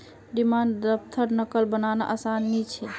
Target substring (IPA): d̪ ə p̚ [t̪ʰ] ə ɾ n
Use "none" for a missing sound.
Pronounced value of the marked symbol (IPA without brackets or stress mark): t̪ʰ